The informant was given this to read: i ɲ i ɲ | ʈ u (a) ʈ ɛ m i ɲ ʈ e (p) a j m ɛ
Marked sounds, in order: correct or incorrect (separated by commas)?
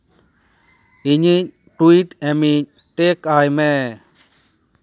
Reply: incorrect, incorrect